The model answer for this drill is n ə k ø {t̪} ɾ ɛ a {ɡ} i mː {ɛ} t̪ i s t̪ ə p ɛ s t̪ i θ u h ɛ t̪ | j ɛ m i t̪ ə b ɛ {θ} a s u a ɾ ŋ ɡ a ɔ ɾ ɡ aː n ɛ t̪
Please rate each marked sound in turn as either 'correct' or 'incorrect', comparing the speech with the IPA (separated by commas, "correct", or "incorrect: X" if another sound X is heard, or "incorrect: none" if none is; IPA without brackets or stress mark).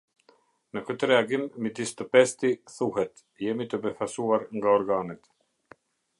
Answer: correct, correct, incorrect: i, incorrect: f